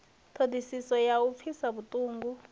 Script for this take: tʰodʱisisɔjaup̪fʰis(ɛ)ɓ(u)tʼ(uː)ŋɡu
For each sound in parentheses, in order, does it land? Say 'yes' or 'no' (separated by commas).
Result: no, yes, yes